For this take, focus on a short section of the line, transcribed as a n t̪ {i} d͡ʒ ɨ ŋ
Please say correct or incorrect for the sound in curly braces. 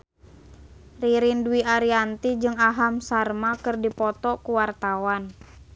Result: correct